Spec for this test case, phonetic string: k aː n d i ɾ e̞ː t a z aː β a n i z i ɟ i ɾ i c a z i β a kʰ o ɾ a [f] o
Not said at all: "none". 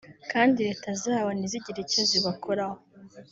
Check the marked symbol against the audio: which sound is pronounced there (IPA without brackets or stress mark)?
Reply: h